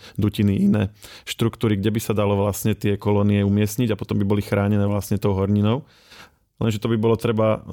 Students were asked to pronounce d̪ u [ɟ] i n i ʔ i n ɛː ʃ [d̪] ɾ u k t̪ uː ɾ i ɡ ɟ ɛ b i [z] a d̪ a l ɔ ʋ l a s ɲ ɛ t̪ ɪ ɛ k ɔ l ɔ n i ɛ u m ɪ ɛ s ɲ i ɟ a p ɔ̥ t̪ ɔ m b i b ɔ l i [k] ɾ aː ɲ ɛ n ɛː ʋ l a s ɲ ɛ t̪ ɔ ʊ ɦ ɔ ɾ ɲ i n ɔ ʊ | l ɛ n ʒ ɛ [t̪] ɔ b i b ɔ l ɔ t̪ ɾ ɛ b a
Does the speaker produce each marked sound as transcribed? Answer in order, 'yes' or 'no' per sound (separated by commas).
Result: no, no, no, no, yes